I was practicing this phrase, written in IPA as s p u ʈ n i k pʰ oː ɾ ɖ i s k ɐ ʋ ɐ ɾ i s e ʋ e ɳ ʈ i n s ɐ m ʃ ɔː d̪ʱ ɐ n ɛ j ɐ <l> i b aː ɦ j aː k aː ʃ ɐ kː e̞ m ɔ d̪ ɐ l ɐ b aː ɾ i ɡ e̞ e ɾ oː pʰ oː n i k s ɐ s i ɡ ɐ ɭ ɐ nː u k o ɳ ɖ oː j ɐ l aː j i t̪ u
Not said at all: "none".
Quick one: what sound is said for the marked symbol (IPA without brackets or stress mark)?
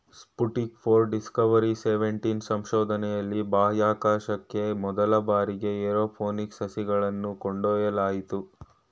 lː